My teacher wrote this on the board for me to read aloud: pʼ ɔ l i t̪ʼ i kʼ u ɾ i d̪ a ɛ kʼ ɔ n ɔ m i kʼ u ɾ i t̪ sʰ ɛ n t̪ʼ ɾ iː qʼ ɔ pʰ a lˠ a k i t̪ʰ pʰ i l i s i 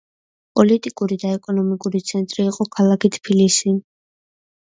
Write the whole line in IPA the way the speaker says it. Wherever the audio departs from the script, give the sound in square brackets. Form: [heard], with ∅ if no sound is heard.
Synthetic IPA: pʼ ɔ l i t̪ʼ i kʼ u ɾ i d̪ a ɛ kʼ ɔ n ɔ m i kʼ u ɾ i t̪ sʰ ɛ n t̪ʼ ɾ iː qʼ ɔ [kʰ] a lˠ a k i t̪ʰ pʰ i l i s i